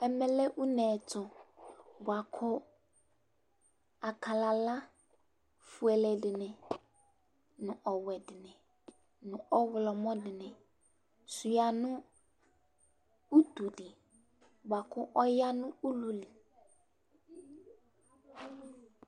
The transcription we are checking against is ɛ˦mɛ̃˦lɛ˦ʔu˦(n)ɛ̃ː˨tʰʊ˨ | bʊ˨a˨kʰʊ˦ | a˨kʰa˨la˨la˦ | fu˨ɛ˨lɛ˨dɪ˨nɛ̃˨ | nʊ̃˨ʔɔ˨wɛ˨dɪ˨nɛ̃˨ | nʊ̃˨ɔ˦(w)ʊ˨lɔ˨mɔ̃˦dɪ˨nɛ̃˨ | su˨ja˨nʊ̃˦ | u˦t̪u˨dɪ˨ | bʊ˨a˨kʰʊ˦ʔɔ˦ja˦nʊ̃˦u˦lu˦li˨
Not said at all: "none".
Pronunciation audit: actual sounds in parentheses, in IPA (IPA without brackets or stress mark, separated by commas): n, w